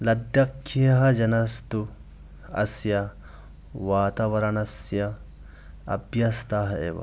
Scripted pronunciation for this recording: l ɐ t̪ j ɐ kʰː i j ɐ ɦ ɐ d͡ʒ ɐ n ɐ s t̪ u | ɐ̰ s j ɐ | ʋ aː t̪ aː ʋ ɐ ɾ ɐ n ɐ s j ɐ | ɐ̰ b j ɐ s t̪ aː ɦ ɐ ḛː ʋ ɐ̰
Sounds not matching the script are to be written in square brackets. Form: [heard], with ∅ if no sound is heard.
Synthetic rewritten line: l ɐ [d̪] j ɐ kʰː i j ɐ ɦ ɐ d͡ʒ ɐ n ɐ s t̪ u | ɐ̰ s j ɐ | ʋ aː t̪ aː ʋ ɐ ɾ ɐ n ɐ s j ɐ | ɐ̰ b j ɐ s t̪ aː ɦ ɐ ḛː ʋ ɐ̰